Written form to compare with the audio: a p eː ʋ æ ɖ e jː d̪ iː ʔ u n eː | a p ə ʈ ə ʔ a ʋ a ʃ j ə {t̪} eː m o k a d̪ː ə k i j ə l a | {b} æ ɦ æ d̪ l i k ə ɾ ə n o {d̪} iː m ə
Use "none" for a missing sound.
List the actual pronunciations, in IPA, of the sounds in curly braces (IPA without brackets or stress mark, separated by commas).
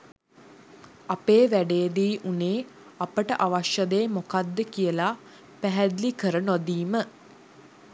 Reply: d̪, p, d̪